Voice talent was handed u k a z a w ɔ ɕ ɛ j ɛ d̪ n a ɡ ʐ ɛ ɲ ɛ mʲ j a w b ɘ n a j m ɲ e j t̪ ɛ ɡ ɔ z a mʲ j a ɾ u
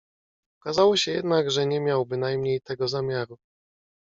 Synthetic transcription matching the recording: ɔ k a z a w ɔ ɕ ɛ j ɛ d̪ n a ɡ ʐ ɛ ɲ ɛ mʲ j a w b ɘ n a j m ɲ e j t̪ ɛ ɡ ɔ z a mʲ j a ɾ u